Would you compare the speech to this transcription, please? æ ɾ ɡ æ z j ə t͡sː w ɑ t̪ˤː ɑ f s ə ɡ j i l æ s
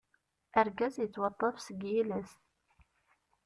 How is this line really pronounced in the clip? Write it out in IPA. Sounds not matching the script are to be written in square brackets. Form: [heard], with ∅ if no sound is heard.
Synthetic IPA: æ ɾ ɡ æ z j ə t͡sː w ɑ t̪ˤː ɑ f s ə ɡ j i l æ s